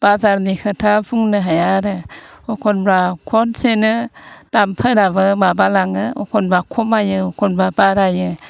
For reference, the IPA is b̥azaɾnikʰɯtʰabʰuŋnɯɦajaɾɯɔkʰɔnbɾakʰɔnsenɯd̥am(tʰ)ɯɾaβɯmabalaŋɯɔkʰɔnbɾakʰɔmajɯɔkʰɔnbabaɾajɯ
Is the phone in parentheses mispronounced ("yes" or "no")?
yes